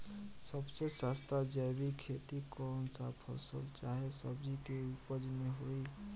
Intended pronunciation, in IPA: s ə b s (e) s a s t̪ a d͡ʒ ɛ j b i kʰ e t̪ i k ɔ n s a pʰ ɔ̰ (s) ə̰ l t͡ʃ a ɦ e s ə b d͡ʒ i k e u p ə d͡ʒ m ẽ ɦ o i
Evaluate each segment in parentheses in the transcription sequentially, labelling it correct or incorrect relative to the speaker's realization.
correct, correct

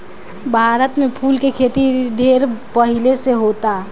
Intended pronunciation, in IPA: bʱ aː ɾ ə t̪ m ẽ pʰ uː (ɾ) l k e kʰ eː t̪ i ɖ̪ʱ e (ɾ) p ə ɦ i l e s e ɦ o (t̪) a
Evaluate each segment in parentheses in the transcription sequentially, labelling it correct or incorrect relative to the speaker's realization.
incorrect, correct, correct

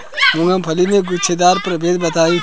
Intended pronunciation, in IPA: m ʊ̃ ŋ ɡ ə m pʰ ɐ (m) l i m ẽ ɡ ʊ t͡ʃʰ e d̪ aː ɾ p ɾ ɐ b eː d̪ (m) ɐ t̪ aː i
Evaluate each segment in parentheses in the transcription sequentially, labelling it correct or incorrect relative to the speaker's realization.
incorrect, incorrect

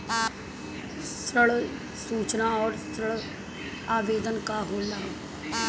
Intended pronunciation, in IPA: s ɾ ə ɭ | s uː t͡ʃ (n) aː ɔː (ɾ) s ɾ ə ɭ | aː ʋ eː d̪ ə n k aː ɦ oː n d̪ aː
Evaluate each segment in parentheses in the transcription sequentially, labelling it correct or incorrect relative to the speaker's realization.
correct, correct

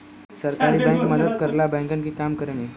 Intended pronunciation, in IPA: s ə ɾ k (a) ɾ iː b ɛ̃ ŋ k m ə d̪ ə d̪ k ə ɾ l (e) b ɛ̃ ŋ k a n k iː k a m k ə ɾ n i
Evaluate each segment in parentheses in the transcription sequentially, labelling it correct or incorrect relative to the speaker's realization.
correct, incorrect

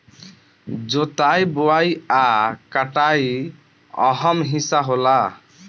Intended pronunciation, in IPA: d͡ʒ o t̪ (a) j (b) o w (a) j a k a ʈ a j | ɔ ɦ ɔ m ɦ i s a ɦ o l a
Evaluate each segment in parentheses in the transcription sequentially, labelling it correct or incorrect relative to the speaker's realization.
correct, correct, correct

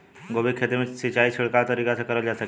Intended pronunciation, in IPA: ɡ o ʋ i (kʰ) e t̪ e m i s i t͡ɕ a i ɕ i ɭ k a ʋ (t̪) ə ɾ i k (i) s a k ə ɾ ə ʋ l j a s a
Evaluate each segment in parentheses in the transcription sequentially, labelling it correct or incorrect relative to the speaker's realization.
correct, correct, incorrect

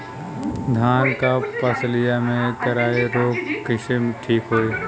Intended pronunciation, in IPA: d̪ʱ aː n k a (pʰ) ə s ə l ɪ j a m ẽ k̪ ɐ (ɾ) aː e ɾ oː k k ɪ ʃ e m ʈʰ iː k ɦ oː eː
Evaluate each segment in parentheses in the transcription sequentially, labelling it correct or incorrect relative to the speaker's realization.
incorrect, correct

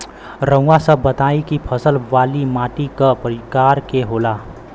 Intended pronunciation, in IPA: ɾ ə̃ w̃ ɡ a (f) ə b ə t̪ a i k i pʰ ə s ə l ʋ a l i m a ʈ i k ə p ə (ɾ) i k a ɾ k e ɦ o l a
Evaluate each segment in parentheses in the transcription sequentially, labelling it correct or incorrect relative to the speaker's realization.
incorrect, correct

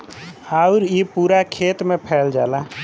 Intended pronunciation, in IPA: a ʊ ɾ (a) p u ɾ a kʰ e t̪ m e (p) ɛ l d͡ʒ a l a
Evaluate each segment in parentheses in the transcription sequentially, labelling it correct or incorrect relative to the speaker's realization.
incorrect, incorrect

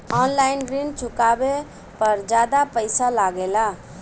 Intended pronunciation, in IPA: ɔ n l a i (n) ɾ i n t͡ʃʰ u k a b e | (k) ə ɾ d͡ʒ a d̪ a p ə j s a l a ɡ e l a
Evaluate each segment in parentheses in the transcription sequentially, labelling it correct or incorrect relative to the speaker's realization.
correct, incorrect

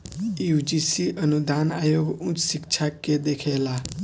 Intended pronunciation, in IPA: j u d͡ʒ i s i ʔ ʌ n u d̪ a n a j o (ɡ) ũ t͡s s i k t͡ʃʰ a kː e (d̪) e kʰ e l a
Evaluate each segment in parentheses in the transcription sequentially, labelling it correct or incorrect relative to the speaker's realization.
correct, correct

